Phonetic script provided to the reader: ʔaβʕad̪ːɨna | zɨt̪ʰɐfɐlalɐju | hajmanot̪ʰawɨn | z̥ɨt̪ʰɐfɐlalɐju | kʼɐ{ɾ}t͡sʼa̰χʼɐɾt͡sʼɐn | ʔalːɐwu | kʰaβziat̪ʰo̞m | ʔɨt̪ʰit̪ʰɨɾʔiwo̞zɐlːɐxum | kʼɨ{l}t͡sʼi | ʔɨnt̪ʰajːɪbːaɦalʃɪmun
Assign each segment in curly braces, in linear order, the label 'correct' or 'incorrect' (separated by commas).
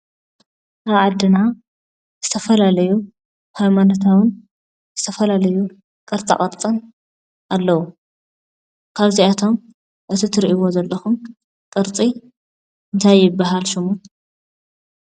correct, incorrect